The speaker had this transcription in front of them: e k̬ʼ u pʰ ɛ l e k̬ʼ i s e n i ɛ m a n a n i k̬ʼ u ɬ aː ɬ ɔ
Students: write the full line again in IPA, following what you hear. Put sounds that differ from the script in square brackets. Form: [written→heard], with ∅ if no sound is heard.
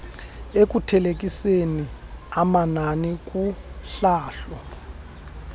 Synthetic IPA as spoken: e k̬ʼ u [pʰ→tʰ] ɛ l e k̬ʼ i s e n i [ɛ→a] m a n a n i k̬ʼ u ɬ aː ɬ ɔ